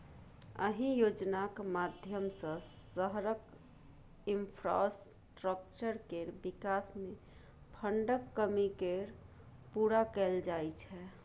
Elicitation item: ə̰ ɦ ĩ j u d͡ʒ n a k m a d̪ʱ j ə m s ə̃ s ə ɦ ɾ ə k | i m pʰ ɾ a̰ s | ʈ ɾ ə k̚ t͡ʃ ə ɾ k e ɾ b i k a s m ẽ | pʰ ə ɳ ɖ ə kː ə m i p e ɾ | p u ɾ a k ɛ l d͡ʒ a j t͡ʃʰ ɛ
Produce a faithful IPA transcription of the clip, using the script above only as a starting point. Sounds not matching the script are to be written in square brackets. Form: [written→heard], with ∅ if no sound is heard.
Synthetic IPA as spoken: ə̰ ɦ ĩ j [u→o] d͡ʒ n a k m a d̪ʱ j ə m s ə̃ s ə ɦ ɾ ə k | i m pʰ ɾ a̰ s | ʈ ɾ ə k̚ t͡ʃ ə ɾ k e ɾ b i k a s m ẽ | pʰ ə ɳ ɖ ə kː ə m i [p→k] e ɾ | p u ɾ a k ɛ l d͡ʒ a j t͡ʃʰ ɛ

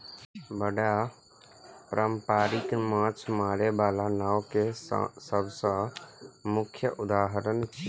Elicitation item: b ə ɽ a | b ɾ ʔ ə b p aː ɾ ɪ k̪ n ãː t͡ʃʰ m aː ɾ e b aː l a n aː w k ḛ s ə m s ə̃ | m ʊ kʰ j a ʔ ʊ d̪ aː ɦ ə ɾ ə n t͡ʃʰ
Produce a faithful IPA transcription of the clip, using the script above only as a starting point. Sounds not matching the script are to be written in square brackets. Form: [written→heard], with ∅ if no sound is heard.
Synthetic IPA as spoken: b ə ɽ a | [b→p] ɾ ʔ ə [b→m] p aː ɾ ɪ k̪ [n→m] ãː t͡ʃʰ m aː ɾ e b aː l a n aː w k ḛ s ə [m→b] s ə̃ | m ʊ kʰ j [a→ə] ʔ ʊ d̪ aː ɦ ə ɾ ə n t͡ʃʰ

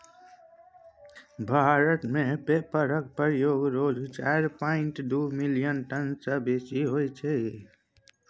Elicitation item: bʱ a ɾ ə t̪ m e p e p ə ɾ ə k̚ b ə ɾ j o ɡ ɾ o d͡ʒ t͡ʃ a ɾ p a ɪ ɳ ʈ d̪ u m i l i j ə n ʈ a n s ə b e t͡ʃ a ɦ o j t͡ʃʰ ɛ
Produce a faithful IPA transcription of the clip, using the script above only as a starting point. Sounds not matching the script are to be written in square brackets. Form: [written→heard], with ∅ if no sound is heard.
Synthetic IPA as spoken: bʱ a ɾ ə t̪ m e p e p ə ɾ ə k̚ [b→p] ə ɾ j o ɡ ɾ o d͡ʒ t͡ʃ a ɾ p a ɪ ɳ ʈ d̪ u m i l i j ə n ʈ [a→ə] n s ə b e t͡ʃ [a→i] ɦ o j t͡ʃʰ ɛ

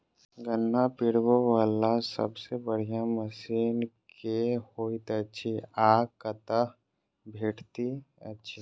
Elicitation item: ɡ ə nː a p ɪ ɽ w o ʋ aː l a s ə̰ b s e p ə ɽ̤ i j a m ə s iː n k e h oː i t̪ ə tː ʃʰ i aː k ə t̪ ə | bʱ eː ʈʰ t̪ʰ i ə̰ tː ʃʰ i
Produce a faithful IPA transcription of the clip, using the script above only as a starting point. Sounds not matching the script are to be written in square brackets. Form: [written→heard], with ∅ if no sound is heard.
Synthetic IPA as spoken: ɡ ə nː a p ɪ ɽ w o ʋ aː l a s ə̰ b s e [p→b] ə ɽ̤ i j a m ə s iː n k e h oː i t̪ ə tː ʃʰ i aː k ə t̪ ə | bʱ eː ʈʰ [t̪ʰ→t̪] i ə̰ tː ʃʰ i

